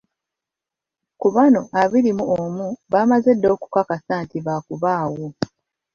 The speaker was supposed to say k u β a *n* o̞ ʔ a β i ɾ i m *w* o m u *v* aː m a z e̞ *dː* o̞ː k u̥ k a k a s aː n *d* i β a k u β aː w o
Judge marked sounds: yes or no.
yes, no, no, yes, no

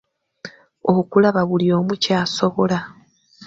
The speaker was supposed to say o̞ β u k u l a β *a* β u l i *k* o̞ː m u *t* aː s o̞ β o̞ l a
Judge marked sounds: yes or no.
yes, no, no

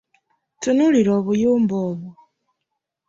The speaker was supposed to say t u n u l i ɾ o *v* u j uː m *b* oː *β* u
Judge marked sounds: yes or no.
no, yes, yes

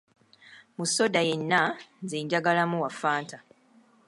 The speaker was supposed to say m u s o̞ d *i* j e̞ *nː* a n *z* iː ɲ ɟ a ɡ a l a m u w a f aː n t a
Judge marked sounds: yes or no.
no, yes, yes

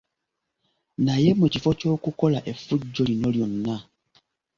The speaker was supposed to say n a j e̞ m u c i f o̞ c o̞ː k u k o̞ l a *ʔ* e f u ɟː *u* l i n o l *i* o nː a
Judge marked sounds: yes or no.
yes, no, no

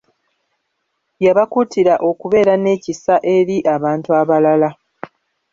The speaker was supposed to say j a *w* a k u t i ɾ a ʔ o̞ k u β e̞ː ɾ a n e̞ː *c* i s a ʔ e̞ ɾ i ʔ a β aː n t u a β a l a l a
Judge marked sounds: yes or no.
no, yes

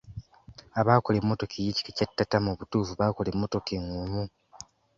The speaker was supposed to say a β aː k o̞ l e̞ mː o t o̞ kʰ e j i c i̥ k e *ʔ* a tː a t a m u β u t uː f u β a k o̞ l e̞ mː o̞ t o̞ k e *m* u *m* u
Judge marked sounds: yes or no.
no, no, yes

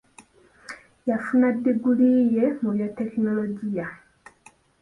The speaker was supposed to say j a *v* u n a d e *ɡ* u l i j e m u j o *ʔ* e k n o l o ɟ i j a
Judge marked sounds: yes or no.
no, yes, no

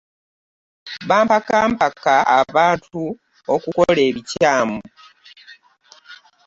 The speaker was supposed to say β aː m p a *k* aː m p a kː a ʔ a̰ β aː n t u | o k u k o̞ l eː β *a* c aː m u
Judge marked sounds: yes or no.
yes, no

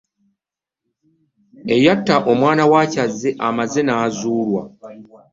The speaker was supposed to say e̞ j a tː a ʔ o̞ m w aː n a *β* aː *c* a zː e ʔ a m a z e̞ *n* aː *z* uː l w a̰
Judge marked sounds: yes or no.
no, yes, yes, yes

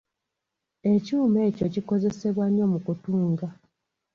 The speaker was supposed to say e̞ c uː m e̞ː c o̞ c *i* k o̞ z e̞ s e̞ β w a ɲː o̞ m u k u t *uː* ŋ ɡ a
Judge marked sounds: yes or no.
yes, yes

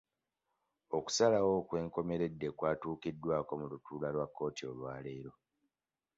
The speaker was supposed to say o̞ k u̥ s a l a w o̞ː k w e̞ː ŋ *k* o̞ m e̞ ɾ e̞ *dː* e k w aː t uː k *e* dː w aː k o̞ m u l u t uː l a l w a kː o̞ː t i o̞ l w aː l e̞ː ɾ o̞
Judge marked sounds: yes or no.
yes, yes, no

